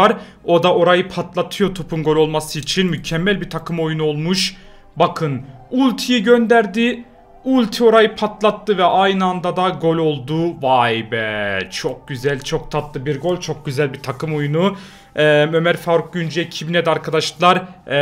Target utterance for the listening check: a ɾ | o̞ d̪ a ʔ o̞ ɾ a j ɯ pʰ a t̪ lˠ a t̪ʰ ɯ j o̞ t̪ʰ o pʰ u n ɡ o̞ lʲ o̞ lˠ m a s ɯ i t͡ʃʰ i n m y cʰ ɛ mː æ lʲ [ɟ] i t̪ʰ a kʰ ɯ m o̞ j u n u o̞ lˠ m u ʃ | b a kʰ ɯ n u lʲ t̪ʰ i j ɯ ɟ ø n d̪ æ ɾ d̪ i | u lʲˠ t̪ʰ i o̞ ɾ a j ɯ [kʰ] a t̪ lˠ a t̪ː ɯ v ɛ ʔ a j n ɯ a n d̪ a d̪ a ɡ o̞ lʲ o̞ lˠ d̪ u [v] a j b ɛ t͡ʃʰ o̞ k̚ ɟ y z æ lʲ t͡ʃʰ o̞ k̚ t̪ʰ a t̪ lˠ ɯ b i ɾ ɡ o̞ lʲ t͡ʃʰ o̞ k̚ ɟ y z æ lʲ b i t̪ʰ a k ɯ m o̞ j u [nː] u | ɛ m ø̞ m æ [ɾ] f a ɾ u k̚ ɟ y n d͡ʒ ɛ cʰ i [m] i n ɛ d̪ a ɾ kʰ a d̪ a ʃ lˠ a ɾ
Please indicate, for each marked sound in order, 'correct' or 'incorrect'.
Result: incorrect, incorrect, correct, incorrect, correct, incorrect

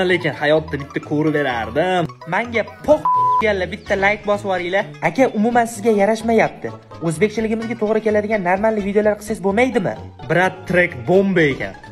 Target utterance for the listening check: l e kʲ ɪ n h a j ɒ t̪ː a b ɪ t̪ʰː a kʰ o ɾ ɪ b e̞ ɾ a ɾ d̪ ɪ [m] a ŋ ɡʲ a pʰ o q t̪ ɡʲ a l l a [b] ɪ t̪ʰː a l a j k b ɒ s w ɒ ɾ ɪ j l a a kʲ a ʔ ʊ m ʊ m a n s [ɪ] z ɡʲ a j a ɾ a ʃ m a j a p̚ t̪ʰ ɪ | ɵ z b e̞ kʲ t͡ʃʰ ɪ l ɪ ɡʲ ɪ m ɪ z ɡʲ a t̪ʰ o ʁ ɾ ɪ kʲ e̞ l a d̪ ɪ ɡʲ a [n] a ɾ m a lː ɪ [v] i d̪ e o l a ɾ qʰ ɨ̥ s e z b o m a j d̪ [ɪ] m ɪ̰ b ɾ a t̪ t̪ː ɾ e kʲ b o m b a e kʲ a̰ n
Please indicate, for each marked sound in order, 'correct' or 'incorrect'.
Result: correct, correct, correct, incorrect, correct, correct

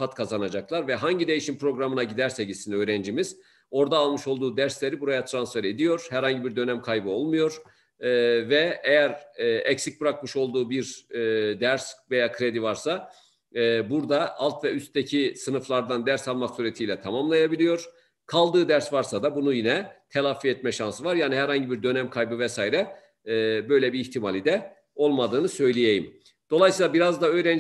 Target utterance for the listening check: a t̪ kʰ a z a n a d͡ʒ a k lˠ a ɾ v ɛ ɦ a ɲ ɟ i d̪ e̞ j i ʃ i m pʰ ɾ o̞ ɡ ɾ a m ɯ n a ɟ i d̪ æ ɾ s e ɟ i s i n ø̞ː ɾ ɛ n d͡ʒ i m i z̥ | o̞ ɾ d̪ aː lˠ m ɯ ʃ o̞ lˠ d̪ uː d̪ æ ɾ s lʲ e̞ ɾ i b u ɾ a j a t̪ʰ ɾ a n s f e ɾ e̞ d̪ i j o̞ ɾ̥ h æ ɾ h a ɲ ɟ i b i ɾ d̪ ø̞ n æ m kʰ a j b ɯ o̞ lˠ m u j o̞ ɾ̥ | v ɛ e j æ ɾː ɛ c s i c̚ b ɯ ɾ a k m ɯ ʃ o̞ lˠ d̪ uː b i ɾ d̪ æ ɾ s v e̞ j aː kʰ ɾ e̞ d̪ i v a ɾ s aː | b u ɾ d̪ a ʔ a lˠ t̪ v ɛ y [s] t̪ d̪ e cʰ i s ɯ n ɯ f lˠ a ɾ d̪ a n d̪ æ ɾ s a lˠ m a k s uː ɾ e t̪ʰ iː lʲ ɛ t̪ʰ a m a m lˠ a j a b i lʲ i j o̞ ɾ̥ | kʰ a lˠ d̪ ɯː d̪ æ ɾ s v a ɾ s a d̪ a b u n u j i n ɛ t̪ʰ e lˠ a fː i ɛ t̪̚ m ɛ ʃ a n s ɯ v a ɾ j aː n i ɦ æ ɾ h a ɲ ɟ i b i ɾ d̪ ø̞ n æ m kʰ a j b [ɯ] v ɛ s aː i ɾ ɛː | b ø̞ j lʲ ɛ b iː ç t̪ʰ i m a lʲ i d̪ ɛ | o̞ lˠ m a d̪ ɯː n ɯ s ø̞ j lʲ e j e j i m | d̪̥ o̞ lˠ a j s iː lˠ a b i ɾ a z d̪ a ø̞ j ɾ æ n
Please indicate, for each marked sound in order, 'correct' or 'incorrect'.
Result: correct, correct

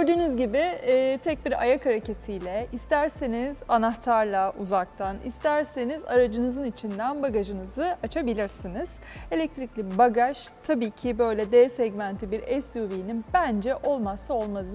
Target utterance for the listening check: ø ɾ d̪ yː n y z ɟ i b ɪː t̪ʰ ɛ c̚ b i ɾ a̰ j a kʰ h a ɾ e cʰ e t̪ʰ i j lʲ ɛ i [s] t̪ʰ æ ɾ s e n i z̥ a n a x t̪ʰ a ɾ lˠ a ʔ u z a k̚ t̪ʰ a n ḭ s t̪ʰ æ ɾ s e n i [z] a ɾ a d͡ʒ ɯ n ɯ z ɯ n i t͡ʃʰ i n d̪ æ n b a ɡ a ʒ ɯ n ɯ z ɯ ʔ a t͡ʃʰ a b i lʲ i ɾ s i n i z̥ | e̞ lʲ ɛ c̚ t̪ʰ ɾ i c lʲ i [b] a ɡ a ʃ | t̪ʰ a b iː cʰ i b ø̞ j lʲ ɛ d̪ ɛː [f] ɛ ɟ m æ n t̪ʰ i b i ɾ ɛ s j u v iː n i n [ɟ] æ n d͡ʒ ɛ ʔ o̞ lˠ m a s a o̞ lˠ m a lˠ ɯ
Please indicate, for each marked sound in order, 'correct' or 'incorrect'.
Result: correct, correct, correct, incorrect, incorrect

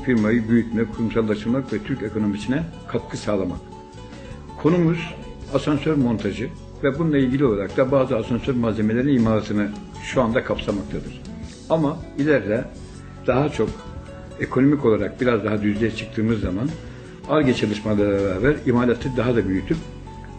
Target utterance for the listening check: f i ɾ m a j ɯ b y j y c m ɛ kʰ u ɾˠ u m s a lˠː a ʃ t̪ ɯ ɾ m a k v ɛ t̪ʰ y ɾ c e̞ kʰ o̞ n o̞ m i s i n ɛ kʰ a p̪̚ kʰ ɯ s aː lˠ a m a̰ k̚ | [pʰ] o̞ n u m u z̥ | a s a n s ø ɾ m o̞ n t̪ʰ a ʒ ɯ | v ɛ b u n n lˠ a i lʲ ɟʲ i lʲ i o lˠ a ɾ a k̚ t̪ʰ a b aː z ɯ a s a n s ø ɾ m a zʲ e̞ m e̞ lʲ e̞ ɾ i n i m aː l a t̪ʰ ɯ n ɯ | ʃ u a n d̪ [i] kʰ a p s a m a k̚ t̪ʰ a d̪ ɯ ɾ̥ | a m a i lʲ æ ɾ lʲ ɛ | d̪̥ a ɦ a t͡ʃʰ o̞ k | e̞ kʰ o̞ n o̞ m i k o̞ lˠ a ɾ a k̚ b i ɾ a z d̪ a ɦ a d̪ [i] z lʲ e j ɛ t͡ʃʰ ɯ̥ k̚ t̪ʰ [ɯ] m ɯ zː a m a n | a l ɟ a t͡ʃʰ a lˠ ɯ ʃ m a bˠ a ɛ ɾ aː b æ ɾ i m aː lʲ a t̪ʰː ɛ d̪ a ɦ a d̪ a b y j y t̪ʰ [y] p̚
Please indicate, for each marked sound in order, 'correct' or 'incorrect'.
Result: incorrect, incorrect, incorrect, incorrect, correct

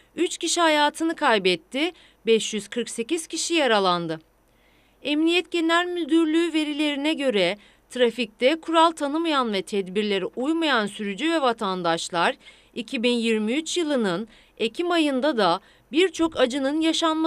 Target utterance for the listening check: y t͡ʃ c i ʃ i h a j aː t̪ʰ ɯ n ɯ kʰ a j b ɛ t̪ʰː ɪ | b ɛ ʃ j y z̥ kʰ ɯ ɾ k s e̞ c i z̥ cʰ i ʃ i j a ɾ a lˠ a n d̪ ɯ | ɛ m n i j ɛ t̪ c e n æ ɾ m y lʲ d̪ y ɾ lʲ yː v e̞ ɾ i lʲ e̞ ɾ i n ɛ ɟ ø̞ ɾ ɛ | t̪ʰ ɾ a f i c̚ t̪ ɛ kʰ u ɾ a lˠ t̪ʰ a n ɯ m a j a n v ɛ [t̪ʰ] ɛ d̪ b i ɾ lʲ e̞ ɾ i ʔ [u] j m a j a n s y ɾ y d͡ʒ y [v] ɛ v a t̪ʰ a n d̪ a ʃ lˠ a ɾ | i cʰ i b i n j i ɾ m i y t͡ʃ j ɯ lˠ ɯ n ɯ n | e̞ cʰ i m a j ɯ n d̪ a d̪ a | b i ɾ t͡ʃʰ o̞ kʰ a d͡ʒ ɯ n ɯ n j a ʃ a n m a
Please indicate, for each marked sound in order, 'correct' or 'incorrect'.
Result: correct, correct, correct

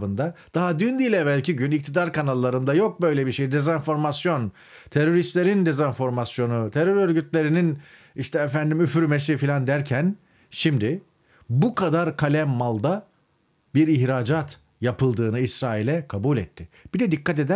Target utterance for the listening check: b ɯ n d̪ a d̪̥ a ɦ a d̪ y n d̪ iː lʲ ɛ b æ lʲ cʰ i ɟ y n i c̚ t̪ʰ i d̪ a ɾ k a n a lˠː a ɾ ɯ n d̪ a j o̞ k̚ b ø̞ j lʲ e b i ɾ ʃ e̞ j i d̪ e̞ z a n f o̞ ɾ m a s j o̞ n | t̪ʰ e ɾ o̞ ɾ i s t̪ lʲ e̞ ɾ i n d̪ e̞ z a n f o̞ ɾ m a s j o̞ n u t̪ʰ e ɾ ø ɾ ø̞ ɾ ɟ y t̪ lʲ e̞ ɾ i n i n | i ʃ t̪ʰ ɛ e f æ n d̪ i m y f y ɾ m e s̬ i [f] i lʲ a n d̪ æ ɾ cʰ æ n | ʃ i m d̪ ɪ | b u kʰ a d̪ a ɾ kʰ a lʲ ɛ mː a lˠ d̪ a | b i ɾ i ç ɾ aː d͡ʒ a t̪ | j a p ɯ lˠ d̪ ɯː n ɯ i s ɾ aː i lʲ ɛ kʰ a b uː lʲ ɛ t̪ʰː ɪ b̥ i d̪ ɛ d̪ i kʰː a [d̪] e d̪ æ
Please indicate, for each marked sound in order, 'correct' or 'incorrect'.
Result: correct, incorrect

